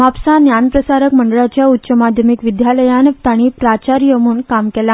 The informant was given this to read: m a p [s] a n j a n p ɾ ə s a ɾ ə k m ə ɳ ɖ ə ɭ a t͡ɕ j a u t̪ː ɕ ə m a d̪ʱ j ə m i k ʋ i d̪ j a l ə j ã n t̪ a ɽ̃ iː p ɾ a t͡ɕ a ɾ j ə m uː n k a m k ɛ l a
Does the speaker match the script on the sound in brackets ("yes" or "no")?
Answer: yes